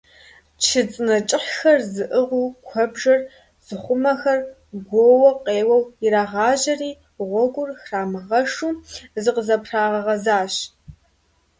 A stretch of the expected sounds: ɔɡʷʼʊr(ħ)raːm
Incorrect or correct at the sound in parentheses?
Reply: incorrect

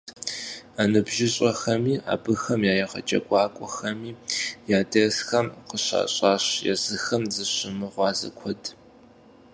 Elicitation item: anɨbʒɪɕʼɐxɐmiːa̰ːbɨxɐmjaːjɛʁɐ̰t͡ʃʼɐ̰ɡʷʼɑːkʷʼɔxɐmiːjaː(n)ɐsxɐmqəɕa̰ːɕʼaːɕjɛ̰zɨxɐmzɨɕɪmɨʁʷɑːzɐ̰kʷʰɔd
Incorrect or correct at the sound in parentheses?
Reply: incorrect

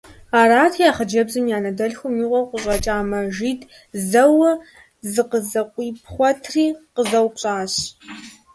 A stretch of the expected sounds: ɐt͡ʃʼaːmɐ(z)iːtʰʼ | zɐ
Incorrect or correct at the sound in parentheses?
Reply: incorrect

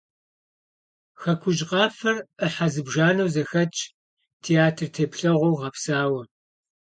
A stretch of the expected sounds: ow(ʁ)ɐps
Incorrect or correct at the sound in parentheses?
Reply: correct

